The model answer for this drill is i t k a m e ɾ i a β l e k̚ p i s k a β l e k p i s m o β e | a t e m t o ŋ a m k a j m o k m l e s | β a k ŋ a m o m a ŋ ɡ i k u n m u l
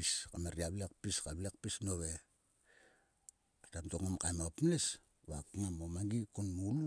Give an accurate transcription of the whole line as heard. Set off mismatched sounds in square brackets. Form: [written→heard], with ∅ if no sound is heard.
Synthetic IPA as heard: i [t→s] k a m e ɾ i a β l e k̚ p i s k a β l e k p i s [m→n] o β e | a t [e→a] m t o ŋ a m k a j m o [k→p] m l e s | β a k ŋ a m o m a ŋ ɡ i k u n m u l